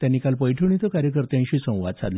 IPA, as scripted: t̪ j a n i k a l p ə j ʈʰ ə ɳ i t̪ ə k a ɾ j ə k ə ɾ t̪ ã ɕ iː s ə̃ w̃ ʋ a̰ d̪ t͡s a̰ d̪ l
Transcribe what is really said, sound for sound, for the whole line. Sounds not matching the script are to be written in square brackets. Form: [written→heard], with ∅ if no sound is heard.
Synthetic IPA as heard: t̪ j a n i k a l p ə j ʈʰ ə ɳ i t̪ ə k a ɾ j ə k ə ɾ t̪ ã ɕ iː s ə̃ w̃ ʋ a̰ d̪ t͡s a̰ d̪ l